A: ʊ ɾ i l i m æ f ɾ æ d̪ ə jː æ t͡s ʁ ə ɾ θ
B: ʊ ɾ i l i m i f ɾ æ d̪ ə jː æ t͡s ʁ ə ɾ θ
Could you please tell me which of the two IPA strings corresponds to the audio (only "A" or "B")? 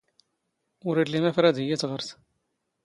A